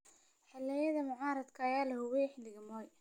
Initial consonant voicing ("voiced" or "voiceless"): voiceless